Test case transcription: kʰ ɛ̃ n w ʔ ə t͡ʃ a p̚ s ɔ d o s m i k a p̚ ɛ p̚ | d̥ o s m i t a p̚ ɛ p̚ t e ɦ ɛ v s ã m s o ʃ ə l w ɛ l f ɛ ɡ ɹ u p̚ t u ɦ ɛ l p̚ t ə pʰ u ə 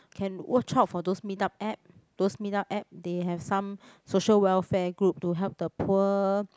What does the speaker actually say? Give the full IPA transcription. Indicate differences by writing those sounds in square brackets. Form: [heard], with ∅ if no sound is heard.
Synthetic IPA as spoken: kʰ ɛ̃ n w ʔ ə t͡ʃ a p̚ [f] ɔ d o s m i [t] a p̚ ɛ p̚ | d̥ o s m i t a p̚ ɛ p̚ [d] e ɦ ɛ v s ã m s o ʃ ə l w ɛ l f ɛ ɡ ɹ u p̚ t u ɦ ɛ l p̚ [d] ə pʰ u ə